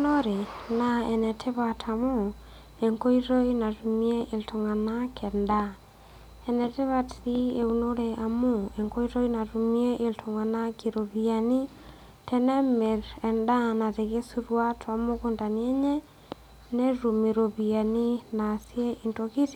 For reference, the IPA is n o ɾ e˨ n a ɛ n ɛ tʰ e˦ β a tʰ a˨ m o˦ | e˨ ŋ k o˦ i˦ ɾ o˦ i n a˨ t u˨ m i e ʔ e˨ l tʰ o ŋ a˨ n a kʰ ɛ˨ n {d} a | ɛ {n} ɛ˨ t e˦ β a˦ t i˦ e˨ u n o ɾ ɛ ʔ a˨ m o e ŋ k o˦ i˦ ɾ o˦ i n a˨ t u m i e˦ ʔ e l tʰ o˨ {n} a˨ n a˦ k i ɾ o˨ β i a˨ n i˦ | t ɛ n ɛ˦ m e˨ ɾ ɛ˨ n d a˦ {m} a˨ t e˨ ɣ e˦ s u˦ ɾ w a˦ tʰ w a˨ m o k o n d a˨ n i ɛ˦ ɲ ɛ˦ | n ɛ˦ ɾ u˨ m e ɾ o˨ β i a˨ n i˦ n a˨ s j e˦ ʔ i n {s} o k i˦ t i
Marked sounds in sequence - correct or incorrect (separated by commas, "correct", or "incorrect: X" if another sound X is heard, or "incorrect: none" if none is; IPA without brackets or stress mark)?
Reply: correct, correct, incorrect: ŋ, incorrect: n, incorrect: t